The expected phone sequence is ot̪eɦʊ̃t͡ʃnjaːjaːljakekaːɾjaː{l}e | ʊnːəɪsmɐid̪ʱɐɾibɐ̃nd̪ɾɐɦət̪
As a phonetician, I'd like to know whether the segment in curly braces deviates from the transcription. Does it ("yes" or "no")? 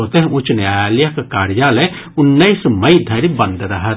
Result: no